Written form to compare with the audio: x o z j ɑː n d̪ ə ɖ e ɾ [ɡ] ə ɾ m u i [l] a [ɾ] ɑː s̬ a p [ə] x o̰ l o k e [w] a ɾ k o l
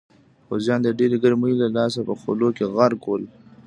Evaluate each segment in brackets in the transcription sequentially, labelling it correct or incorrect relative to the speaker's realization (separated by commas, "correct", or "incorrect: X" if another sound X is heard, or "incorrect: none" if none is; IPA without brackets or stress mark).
correct, correct, incorrect: l, correct, incorrect: ɣ